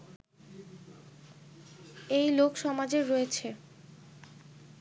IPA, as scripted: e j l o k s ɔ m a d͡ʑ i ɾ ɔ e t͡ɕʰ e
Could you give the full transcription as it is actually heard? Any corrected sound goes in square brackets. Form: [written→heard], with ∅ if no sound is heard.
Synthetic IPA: e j l o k [s→ʃ] ɔ m a d͡ʑ [i→e] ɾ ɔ e t͡ɕʰ e